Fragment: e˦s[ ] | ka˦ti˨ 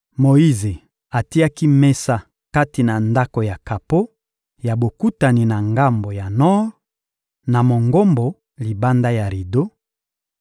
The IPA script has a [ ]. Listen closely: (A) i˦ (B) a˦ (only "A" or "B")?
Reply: B